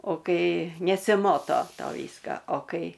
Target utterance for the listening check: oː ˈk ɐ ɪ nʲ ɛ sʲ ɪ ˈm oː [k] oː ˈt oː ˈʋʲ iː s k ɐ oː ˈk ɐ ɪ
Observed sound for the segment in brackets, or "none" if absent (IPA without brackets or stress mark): t